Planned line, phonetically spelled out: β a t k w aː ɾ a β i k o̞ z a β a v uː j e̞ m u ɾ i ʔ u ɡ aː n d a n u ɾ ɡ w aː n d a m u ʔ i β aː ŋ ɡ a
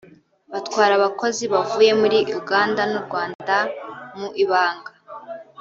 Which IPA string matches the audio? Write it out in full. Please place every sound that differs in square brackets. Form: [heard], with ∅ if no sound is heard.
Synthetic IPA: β a t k w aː ɾ a β [a] k o̞ z [i] β a v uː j e̞ m u ɾ i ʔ u ɡ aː n d a n u ɾ ɡ w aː n d a m u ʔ i β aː ŋ ɡ a